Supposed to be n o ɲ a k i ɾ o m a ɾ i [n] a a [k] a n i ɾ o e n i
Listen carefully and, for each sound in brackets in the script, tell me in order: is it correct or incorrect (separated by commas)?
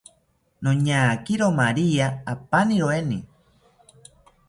incorrect, incorrect